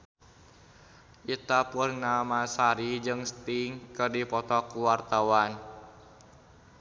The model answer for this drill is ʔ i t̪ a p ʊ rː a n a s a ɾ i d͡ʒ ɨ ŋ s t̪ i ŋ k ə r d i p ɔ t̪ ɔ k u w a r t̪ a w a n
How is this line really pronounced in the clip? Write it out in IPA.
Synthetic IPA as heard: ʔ i t̪ a p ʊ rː a m a s a ɾ i d͡ʒ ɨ ŋ s t̪ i ŋ k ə r d i p ɔ t̪ ɔ k u w a r t̪ a w a n

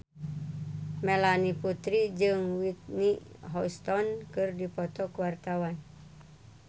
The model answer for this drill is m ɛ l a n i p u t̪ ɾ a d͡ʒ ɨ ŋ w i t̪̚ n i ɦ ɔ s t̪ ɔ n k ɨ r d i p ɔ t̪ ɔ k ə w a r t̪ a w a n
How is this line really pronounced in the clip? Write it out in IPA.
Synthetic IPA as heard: m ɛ l a n i p u t̪ ɾ i d͡ʒ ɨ ŋ w i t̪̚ n i ɦ ɔ s t̪ ɔ n k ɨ r d i p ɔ t̪ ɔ k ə w a r t̪ a w a n

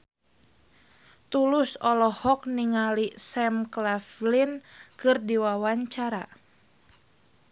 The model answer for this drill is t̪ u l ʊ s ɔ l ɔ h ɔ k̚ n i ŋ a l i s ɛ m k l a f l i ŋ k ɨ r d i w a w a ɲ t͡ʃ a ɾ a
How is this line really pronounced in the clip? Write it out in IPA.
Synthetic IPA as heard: t̪ u l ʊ s ɔ l ɔ h ɔ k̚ n i ŋ a l i s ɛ m k l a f l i n k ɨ r d i w a w a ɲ t͡ʃ a ɾ a

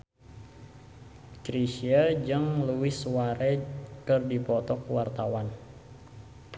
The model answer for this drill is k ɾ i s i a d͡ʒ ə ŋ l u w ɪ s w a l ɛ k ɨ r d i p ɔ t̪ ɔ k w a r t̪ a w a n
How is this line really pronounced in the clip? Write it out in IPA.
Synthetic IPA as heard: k ɾ i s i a d͡ʒ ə ŋ l u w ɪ s w a ɾ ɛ k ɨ r d i p ɔ t̪ ɔ k w a r t̪ a w a n

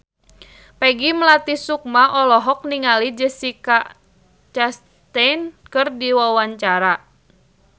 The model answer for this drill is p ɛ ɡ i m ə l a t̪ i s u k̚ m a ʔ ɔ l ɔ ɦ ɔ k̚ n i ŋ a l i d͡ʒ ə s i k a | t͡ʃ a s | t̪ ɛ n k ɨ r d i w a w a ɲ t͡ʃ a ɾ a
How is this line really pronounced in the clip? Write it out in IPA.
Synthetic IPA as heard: p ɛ ɡ i m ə l a t̪ i s u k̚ m a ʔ ɔ l ɔ ɦ ɔ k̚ n i ŋ a l i d͡ʒ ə s i k a | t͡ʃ a s | t̪ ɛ n k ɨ r d i w a w a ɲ t͡ʃ a ɾ a

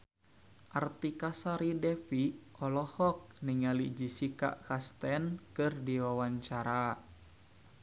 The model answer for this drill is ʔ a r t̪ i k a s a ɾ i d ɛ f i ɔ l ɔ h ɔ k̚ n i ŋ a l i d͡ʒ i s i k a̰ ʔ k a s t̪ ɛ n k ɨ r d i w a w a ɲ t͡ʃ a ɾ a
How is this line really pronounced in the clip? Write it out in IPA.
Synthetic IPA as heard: ʔ a r t̪ i k a s a ɾ i d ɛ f i ɔ l ɔ h ɔ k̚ n i ŋ a l i d͡ʒ i s i k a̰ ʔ k a s t̪ ɛ n k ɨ r d i w a w a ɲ t͡ʃ a ɾ a

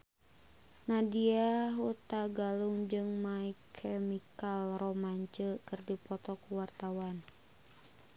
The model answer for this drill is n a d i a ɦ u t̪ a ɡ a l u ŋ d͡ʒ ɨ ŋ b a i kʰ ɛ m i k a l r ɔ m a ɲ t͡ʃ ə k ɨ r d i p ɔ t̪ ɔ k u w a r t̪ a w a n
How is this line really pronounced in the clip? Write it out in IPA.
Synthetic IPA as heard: n a d i a ɦ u t̪ a ɡ a l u ŋ d͡ʒ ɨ ŋ m a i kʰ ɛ m i k a l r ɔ m a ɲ t͡ʃ ə k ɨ r d i p ɔ t̪ ɔ k u w a r t̪ a w a n

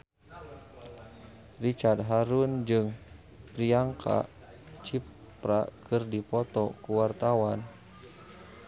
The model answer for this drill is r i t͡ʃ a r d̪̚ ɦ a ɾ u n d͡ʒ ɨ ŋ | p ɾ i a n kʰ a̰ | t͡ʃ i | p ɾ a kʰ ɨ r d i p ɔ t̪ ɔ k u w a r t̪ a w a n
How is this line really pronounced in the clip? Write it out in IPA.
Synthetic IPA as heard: r i t͡ʃ a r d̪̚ ɦ a ɾ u n d͡ʒ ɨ ŋ | p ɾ i a ŋ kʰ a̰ | t͡ʃ i | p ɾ a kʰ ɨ r d i p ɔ t̪ ɔ k u w a r t̪ a w a n

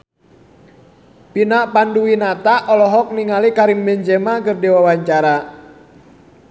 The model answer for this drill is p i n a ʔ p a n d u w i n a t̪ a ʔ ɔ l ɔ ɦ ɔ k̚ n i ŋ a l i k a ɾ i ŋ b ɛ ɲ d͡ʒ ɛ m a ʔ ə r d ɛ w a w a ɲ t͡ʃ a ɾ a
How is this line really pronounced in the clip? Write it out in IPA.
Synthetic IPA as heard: p i n a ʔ p a n d u w i n a t̪ a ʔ ɔ l ɔ ɦ ɔ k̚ n i ŋ a l i k a ɾ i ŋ b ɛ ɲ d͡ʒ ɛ m a k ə r d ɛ w a w a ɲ t͡ʃ a ɾ a

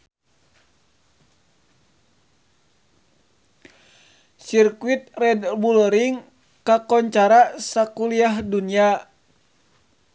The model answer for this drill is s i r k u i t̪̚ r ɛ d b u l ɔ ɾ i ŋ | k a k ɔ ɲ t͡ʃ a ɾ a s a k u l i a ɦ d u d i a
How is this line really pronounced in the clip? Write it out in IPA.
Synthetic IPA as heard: s i r k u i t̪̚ r ɛ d b u l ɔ ɾ i ŋ | k a k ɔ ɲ t͡ʃ a ɾ a s a k u l i a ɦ d u n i a

